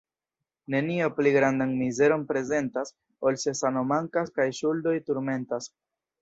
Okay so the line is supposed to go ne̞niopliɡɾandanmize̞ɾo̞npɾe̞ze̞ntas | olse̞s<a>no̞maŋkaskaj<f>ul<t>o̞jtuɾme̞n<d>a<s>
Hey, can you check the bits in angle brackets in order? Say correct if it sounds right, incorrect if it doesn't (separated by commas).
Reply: correct, incorrect, incorrect, incorrect, correct